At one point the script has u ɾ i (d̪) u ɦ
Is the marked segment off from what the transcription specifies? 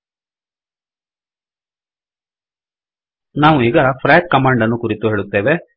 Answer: yes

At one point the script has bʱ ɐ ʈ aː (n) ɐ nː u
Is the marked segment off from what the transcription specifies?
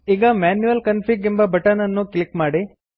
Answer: no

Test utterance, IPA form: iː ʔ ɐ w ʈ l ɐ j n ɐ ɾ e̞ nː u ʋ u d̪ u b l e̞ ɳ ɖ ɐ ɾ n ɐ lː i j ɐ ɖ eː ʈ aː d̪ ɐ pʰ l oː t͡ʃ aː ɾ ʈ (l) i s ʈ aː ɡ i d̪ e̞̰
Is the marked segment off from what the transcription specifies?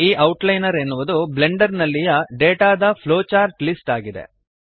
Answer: no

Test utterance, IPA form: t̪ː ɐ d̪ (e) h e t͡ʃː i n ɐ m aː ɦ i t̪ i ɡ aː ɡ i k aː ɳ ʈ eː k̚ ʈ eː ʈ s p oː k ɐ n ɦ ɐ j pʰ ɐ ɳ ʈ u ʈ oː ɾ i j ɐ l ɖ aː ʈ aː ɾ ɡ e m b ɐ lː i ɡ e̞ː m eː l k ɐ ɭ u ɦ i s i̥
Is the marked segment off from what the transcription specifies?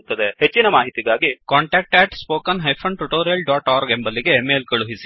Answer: no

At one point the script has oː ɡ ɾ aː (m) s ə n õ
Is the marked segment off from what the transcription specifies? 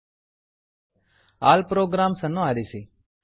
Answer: no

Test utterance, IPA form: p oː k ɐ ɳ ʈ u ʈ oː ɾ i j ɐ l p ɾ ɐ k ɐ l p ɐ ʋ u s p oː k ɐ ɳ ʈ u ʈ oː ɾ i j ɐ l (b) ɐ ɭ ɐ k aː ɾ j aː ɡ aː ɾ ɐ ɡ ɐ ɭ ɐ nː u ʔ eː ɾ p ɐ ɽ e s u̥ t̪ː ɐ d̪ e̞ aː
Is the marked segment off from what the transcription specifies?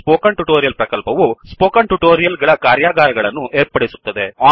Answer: yes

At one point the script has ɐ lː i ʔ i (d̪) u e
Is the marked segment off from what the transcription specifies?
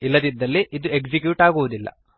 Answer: no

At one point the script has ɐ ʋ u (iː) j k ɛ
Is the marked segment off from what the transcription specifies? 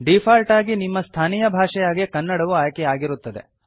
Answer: yes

